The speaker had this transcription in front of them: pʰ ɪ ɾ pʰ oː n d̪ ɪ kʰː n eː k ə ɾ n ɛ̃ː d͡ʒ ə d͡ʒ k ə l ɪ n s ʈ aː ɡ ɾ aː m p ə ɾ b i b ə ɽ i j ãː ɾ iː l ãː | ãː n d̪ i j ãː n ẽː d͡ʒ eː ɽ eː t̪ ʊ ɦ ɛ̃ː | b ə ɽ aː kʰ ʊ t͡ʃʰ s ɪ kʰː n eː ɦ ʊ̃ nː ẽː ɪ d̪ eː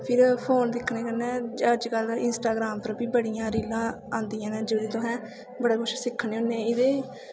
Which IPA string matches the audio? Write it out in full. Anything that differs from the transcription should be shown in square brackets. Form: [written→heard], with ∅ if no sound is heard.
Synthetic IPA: pʰ ɪ ɾ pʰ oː n d̪ ɪ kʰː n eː k ə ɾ n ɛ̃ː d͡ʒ ə d͡ʒ k ə l ɪ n s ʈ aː ɡ ɾ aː m p ə ɾ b [i→iː] b ə ɽ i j ãː ɾ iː l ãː | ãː n d̪ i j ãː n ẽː d͡ʒ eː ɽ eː t̪ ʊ ɦ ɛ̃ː | b ə ɽ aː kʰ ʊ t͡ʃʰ s ɪ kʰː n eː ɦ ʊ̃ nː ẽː ɪ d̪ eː